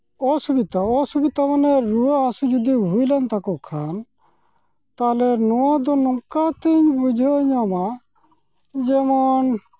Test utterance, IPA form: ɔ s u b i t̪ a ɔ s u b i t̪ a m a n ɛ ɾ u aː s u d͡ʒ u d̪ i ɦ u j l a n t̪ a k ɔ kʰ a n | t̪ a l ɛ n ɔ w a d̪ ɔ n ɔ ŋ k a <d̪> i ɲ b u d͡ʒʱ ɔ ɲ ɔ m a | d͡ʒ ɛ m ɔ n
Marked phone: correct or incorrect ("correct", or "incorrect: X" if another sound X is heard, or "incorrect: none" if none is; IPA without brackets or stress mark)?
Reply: incorrect: t̪